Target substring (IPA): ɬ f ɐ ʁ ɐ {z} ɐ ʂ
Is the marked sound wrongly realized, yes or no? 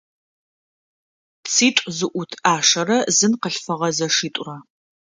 no